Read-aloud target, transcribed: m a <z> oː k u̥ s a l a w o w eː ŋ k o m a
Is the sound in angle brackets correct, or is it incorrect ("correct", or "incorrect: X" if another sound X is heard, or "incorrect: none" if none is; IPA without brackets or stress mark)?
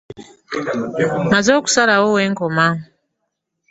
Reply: correct